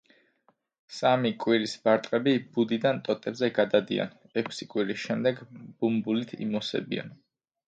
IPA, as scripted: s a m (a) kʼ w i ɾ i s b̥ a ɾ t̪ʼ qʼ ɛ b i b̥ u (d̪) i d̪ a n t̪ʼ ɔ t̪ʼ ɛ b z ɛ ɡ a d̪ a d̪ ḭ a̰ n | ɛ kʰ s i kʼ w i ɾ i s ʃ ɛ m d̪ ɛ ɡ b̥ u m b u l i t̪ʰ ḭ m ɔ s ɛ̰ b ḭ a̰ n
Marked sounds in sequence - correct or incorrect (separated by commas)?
incorrect, correct